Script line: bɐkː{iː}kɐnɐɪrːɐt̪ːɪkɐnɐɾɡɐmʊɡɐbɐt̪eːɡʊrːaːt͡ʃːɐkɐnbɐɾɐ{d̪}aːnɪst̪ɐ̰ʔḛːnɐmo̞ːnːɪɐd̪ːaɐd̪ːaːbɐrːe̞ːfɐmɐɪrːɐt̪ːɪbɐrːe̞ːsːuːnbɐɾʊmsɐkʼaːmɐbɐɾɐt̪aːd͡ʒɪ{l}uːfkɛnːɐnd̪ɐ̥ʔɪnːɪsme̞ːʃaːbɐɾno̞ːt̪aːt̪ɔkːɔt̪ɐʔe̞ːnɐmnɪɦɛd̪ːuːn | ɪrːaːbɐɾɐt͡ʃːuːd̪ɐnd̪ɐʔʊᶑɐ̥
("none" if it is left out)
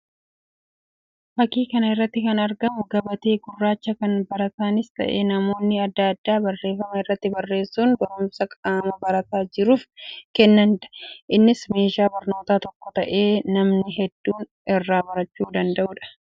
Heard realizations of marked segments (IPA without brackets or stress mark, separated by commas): iː, t̪, ɾ